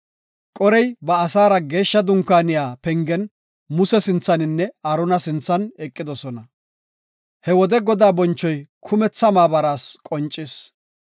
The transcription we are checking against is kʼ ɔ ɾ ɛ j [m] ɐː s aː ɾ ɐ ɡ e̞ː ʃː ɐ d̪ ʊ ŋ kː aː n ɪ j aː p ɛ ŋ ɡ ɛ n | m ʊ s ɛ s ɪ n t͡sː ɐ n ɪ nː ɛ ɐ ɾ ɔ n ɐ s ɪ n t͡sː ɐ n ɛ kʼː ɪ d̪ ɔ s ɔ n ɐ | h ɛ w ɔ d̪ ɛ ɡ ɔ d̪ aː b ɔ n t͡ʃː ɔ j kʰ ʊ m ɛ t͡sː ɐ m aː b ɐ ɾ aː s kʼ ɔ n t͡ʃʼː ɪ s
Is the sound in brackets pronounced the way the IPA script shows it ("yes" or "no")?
no